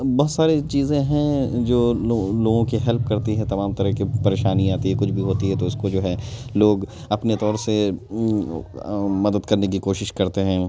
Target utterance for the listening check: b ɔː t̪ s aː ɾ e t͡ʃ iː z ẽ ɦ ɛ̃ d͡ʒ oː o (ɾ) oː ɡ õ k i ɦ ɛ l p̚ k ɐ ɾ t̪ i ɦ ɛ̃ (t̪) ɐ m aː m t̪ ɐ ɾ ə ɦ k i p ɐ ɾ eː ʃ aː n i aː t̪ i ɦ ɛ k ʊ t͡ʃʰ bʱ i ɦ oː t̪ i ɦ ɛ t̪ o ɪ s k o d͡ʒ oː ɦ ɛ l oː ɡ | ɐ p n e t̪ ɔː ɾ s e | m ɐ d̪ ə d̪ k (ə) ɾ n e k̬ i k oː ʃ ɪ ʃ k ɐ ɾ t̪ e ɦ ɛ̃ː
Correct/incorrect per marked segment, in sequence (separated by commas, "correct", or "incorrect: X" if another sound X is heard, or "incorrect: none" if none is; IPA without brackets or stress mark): incorrect: l, correct, incorrect: ɐ